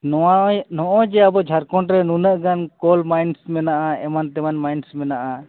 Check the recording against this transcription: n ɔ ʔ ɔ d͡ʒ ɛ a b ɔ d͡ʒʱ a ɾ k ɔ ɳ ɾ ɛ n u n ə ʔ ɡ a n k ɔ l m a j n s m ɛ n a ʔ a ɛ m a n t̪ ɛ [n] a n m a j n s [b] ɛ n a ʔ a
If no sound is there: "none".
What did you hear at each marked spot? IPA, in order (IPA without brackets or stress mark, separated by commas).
m, m